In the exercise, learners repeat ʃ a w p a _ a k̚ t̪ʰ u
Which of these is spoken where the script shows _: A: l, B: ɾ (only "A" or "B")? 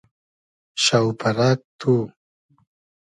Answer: B